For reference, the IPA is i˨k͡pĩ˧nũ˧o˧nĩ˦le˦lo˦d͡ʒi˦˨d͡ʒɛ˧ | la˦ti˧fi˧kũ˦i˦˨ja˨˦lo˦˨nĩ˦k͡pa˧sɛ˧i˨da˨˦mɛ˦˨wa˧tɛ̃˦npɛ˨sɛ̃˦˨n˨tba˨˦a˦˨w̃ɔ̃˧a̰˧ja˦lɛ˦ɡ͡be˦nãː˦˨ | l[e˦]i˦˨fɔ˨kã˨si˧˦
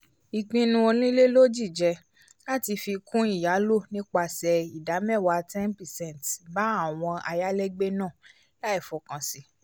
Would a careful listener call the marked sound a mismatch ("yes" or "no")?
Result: yes